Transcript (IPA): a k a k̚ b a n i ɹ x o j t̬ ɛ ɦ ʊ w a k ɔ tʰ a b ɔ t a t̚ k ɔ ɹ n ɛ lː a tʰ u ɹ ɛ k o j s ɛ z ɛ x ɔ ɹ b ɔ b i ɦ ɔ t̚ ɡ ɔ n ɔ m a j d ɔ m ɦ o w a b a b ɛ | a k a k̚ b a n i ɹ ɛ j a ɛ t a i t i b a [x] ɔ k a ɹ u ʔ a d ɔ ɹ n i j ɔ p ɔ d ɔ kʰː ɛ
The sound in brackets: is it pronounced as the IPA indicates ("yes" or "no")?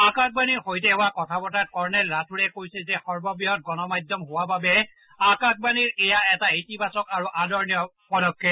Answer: no